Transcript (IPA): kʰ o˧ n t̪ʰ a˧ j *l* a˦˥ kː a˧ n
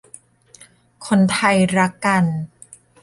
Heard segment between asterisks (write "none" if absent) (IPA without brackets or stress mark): ɾ